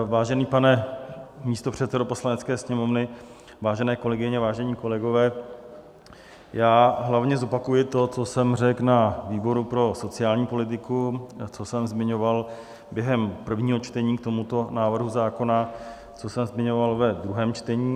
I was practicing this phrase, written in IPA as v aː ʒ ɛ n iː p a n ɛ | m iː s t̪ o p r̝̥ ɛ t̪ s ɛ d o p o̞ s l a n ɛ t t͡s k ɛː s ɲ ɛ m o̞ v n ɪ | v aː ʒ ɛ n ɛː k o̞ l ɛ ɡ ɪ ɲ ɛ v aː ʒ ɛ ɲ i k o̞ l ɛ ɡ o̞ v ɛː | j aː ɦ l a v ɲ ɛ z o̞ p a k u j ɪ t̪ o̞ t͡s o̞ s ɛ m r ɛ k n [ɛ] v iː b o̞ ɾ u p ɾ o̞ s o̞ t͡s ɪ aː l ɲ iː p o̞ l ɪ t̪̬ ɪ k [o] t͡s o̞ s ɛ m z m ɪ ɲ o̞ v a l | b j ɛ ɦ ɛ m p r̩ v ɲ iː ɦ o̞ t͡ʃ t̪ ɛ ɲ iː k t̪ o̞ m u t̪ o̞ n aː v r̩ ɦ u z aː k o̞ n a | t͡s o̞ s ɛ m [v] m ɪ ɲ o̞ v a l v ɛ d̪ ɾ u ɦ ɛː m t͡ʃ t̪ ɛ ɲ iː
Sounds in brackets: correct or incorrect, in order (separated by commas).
incorrect, incorrect, incorrect